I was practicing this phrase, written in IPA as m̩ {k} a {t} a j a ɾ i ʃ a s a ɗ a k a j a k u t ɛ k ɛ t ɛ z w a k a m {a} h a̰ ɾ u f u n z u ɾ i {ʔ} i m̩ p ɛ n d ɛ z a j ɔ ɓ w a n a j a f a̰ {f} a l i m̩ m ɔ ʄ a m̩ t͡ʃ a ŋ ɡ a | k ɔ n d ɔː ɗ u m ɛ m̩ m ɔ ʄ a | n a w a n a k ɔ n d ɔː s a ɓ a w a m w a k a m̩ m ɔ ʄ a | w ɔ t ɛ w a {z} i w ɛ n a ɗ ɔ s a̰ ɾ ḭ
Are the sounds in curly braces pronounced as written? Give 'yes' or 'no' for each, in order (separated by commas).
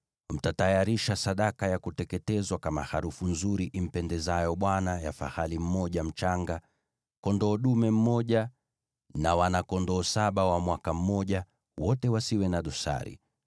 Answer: no, yes, yes, yes, no, no